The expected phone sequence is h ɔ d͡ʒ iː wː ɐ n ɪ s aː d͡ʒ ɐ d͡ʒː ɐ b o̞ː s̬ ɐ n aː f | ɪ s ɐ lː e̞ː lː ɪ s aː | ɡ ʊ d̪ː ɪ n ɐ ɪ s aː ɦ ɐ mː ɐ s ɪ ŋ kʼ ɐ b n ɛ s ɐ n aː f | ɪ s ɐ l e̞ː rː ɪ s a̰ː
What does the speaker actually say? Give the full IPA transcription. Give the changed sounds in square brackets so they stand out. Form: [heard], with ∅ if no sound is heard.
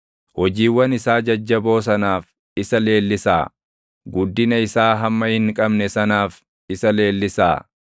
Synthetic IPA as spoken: h ɔ d͡ʒ iː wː ɐ n ɪ s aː d͡ʒ ɐ d͡ʒː ɐ b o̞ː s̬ ɐ n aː f | ɪ s ɐ [l] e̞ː lː ɪ s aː | ɡ ʊ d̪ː ɪ n ɐ ɪ s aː ɦ ɐ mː ɐ [h] ɪ ŋ kʼ ɐ b n ɛ s ɐ n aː f | ɪ s ɐ l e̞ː [lː] ɪ s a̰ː